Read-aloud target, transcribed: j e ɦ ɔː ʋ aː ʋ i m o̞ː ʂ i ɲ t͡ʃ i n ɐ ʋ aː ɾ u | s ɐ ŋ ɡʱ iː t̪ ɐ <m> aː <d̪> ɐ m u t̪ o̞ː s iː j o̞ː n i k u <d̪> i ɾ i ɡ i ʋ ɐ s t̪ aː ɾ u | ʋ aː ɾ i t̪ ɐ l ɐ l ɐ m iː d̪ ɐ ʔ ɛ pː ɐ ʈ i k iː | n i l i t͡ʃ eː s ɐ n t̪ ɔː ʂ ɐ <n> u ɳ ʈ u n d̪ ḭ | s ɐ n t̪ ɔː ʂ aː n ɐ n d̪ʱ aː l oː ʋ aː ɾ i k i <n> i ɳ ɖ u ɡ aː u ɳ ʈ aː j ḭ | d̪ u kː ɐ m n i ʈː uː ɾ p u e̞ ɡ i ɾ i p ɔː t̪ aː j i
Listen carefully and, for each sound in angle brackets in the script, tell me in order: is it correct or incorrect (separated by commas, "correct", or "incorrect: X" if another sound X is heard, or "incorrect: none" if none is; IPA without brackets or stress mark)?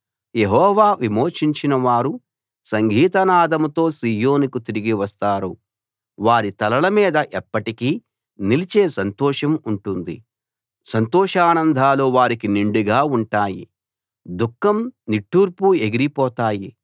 incorrect: n, correct, incorrect: t̪, incorrect: m, correct